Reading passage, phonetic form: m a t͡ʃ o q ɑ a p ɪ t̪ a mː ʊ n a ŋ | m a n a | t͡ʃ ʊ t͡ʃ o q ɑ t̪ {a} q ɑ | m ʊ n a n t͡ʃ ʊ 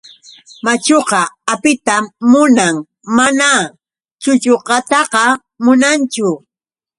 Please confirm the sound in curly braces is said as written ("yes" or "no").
no